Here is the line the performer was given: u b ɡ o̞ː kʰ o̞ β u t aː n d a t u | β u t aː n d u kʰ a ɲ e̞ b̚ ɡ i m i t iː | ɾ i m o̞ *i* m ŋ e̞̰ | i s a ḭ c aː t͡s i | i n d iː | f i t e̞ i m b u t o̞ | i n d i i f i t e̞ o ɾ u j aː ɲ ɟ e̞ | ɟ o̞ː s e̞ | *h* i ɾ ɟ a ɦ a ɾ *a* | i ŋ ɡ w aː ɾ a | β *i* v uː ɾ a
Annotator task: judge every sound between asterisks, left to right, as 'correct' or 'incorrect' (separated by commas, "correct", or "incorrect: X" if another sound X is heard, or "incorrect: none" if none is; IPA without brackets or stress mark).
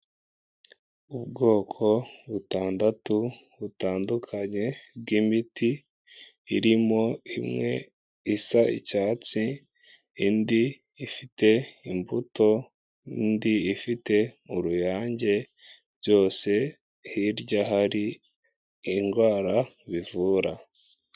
correct, correct, incorrect: i, correct